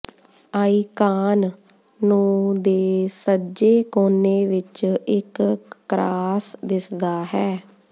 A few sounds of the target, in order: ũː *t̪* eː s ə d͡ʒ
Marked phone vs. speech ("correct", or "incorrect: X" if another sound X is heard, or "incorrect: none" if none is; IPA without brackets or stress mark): incorrect: d̪